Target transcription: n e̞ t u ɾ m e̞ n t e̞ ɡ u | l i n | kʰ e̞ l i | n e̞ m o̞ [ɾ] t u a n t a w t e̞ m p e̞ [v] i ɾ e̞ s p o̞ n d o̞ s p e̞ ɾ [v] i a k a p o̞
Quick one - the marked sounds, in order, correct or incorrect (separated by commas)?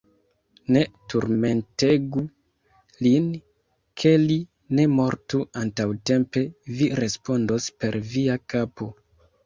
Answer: correct, correct, correct